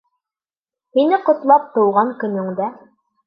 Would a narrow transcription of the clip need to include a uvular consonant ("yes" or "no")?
yes